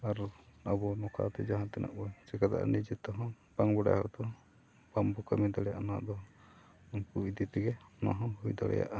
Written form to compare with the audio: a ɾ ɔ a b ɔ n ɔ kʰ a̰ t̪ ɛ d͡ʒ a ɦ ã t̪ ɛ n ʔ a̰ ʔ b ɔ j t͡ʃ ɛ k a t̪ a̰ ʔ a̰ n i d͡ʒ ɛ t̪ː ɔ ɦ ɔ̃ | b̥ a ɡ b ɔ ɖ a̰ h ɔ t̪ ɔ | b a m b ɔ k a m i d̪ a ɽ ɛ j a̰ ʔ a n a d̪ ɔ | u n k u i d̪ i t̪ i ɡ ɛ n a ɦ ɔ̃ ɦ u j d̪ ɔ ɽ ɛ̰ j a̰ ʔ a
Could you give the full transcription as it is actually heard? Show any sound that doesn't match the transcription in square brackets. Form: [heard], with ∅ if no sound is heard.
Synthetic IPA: a ɾ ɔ a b ɔ n ɔ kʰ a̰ t̪ ɛ d͡ʒ a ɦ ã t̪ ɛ n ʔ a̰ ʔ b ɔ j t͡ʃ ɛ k a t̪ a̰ ʔ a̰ n i d͡ʒ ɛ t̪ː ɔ ɦ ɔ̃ | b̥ a [ŋ] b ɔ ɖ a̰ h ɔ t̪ ɔ | b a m b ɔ k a m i d̪ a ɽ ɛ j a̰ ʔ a n a d̪ ɔ | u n k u i d̪ i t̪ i ɡ ɛ n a ɦ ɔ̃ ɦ u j d̪ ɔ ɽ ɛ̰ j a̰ ʔ a